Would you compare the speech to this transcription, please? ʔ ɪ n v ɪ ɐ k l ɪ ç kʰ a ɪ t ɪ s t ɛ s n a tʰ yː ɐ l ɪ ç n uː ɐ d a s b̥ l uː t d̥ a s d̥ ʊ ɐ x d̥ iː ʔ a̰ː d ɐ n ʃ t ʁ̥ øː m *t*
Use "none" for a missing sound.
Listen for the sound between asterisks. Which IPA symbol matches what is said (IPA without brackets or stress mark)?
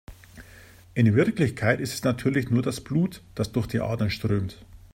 t